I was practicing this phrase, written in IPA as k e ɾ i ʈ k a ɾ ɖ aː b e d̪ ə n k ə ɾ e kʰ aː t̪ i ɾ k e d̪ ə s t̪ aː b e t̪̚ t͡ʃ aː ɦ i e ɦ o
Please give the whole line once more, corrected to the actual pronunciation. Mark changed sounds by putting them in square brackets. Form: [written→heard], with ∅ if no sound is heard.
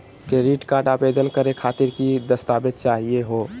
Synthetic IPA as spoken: k e ɾ i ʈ k a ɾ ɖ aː b e d̪ ə n k ə ɾ e kʰ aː t̪ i ɾ k [e→i] d̪ ə s t̪ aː b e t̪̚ t͡ʃ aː ɦ i e ɦ o